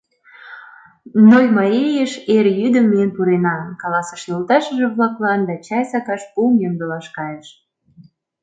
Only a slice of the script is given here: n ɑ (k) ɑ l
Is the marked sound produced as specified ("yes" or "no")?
yes